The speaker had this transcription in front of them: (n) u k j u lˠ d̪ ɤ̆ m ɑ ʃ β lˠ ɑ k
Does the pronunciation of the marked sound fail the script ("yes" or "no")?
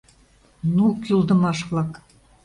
no